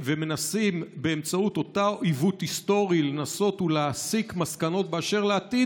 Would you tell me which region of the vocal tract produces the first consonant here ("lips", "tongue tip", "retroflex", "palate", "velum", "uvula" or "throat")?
lips